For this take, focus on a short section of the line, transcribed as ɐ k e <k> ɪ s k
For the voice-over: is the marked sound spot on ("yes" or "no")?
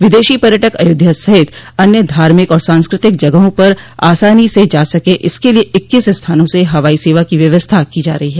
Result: no